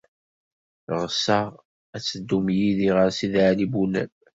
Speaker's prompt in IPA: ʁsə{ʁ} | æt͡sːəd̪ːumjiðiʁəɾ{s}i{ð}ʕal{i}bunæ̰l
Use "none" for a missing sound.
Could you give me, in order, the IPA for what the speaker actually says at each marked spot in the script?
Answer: ʁ, s, ð, i

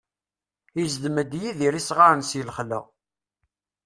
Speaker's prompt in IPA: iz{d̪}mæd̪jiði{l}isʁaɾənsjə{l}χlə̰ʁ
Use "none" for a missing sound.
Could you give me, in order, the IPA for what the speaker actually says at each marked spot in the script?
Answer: d̪, ɾ, l

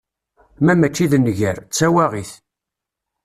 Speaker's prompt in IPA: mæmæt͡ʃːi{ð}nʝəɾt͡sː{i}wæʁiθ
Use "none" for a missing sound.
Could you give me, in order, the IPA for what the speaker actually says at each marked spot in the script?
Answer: ð, æ

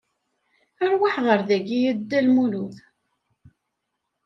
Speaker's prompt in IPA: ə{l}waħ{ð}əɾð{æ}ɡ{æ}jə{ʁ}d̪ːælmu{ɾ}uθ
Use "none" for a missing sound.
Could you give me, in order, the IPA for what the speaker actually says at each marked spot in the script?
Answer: ɾ, ʁ, æ, i, none, l

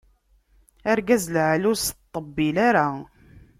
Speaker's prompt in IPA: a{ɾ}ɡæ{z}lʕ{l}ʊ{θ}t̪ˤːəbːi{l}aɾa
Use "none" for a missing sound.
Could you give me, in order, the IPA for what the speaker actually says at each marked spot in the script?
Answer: ɾ, z, l, s, l

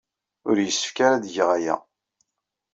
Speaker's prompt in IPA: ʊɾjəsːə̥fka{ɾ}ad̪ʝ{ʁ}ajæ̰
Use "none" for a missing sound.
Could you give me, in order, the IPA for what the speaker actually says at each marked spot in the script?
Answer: ɾ, ʁ

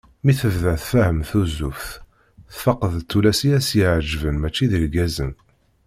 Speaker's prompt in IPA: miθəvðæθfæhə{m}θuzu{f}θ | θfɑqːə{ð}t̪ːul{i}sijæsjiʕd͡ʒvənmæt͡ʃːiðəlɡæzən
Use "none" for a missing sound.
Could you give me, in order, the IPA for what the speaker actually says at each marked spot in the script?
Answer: m, f, ð, æ

